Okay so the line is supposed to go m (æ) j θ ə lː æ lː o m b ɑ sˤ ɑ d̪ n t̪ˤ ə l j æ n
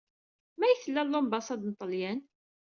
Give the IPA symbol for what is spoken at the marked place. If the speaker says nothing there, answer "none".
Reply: æ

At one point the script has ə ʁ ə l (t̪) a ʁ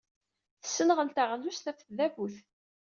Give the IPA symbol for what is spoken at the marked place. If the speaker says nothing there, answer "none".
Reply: t̪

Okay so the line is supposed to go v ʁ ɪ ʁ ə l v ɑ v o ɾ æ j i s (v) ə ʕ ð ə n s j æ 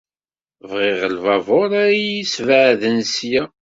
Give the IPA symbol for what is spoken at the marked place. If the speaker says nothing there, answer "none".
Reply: v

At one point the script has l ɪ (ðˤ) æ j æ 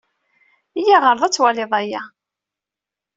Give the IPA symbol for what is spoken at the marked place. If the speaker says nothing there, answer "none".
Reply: ðˤ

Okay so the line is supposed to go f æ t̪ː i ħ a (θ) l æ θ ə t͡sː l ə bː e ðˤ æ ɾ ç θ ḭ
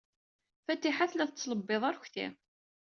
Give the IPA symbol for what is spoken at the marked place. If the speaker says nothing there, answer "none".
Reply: θ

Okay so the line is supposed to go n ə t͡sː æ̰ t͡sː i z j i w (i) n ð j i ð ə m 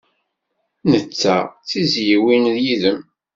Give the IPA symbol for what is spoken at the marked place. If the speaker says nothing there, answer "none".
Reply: i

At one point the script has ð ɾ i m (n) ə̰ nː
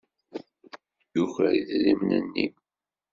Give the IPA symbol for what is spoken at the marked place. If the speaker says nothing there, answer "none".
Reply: n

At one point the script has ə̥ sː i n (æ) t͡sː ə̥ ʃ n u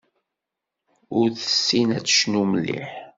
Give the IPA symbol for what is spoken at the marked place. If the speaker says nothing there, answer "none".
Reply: æ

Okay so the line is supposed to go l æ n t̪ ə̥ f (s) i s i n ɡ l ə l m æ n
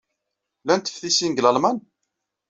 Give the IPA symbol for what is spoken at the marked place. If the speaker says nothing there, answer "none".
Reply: θ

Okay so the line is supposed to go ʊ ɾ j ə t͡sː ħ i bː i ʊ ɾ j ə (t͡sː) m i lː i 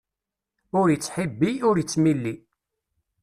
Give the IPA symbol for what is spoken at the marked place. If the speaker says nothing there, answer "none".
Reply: t͡sː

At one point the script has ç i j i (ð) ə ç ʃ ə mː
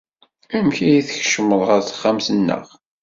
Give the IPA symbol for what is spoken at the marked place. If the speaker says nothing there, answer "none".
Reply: θ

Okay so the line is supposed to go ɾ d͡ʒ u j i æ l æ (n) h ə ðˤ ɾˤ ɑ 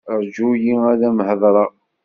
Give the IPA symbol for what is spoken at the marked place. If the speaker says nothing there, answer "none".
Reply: m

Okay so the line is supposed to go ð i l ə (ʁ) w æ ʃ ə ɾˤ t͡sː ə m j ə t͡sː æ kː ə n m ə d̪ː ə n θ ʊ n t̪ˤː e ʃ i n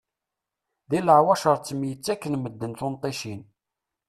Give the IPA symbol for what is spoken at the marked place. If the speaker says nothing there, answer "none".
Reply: ʕ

